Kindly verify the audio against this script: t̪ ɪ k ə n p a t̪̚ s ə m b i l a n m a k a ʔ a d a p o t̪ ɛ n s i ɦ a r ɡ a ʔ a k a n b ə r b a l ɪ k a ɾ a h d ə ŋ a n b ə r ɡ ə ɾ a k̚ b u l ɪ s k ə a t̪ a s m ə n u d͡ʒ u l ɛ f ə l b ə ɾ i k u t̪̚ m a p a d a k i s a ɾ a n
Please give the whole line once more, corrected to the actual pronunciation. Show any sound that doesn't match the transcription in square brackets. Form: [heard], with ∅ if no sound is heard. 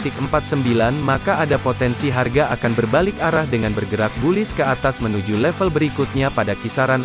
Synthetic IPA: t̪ ɪ k ə [m] p a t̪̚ s ə m b i l a n m a k a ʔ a d a p o t̪ ɛ n s i ɦ a r ɡ a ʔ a k a n b ə r b a l ɪ k a ɾ a h d ə ŋ a n b ə r ɡ ə ɾ a k̚ b u l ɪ s k ə a t̪ a s m ə n u d͡ʒ u l ɛ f ə l b ə ɾ i k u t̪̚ [ɲ] a p a d a k i s a ɾ a n